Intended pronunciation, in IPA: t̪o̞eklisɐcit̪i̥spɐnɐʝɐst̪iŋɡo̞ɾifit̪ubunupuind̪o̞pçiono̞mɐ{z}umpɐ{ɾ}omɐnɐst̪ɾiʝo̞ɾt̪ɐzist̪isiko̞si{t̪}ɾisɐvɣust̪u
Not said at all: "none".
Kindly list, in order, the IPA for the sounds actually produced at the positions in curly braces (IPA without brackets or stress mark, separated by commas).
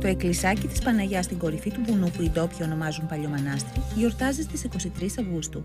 z, ʎ, t̪